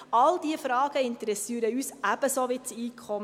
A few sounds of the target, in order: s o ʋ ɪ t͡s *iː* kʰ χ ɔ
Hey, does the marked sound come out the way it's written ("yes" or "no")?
yes